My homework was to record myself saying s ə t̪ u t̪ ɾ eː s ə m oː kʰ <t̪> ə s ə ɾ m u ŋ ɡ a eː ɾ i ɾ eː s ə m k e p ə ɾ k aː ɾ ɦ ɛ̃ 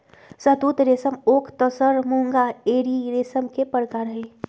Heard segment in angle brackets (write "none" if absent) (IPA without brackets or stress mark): t̪